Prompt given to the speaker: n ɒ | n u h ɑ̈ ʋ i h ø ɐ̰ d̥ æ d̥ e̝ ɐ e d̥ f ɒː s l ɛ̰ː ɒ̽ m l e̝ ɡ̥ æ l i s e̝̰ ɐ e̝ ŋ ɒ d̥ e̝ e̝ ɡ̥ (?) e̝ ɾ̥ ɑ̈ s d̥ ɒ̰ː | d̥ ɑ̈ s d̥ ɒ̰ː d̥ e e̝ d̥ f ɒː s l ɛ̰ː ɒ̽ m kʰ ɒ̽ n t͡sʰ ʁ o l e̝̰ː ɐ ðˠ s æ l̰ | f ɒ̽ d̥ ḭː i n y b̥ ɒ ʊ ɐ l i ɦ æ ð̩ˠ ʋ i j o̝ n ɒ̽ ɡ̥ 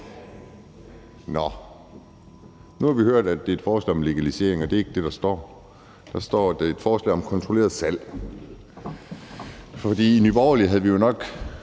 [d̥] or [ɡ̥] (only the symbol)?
d̥